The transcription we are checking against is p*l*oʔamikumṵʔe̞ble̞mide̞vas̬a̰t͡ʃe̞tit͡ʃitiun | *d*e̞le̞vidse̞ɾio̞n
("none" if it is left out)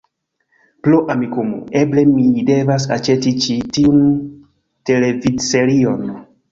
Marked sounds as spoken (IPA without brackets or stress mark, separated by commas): l, t